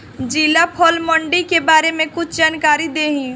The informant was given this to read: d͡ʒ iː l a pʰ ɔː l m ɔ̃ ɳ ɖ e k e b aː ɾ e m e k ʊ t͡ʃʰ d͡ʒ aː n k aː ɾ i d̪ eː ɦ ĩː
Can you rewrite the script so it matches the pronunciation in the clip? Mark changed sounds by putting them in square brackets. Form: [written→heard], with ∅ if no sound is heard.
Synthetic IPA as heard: d͡ʒ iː l a pʰ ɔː l m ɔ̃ ɳ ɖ [e→i] k e b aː ɾ e m [e→ẽ] k ʊ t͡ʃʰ d͡ʒ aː n k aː ɾ i d̪ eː ɦ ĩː

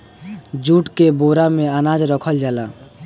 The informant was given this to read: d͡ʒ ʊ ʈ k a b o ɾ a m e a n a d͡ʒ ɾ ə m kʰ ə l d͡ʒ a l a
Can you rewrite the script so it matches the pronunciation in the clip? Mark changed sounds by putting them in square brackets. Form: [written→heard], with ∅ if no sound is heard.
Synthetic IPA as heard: d͡ʒ [ʊ→u] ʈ k [a→e] b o ɾ a m e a n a d͡ʒ ɾ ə [m→∅] kʰ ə l d͡ʒ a l a

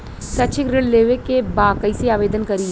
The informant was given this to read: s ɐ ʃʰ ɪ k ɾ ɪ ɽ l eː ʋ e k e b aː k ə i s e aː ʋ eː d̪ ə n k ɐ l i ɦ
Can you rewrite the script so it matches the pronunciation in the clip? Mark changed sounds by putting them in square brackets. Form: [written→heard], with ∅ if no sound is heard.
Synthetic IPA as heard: s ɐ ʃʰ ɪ k ɾ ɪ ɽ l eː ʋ e k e b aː k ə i s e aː ʋ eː d̪ ə n k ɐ [l→ɾ] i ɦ

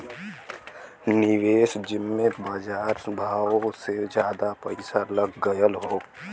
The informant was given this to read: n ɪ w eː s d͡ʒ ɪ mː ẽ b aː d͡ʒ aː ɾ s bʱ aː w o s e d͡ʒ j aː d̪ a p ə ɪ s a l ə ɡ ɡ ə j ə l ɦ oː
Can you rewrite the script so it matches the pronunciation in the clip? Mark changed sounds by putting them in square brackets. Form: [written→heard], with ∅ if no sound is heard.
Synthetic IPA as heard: n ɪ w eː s d͡ʒ ɪ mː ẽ b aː d͡ʒ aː ɾ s bʱ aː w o s e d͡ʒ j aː d̪ a p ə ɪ s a l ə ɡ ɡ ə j ə l ɦ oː

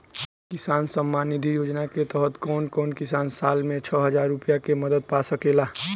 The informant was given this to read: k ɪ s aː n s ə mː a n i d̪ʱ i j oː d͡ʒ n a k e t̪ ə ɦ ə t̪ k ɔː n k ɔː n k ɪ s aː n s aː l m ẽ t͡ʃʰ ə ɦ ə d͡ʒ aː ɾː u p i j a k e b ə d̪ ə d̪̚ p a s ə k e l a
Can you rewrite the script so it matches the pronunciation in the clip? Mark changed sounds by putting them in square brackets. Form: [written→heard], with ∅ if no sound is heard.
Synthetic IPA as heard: k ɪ s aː n s ə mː a n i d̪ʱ i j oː d͡ʒ n a k e t̪ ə ɦ ə t̪ k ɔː n k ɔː n k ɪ s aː n s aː l m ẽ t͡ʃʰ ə ɦ ə d͡ʒ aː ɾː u p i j a k e [b→m] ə d̪ ə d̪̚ p a s ə k e l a

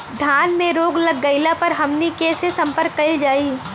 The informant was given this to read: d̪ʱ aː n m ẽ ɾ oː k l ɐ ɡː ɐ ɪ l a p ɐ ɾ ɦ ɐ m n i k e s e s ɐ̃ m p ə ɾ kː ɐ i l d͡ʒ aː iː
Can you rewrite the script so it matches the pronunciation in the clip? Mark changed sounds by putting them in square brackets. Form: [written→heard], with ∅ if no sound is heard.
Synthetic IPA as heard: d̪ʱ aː n m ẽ ɾ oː [k→ɡ] l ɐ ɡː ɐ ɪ l a p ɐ ɾ ɦ ɐ m n i k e s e s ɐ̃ m p ə ɾ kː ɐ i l d͡ʒ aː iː

